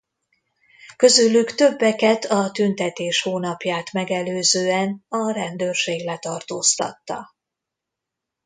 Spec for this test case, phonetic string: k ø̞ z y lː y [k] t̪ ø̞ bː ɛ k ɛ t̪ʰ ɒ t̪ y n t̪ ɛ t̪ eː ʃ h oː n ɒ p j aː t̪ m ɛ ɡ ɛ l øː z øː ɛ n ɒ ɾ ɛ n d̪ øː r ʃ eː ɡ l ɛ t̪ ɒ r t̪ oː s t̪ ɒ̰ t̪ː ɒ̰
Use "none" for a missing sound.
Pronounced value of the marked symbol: k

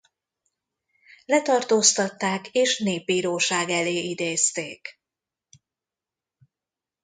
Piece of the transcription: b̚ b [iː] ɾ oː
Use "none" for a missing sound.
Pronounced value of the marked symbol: iː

